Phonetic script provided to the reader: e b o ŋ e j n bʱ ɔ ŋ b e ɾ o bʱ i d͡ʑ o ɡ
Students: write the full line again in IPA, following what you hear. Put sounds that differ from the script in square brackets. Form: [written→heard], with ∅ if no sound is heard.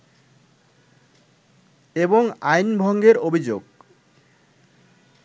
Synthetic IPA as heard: e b o ŋ [e→a] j n bʱ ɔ ŋ [b→ɡ] e ɾ o bʱ i d͡ʑ o ɡ